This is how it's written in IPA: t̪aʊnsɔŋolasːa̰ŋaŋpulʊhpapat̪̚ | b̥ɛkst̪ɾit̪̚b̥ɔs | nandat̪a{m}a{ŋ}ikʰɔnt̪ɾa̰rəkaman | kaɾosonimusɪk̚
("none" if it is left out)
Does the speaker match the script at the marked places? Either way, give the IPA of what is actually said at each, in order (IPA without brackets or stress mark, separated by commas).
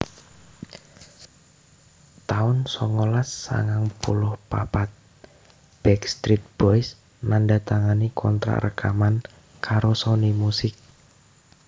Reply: ŋ, n